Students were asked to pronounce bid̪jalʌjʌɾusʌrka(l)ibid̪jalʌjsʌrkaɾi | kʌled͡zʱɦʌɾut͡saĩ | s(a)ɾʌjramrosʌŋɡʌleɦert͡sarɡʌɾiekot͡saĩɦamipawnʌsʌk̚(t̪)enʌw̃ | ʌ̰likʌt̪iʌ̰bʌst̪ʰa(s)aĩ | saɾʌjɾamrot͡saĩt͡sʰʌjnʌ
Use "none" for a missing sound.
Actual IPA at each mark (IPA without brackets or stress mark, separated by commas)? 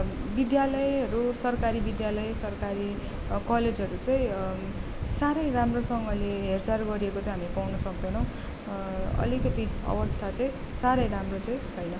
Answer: ɾ, a, d̪, t͡s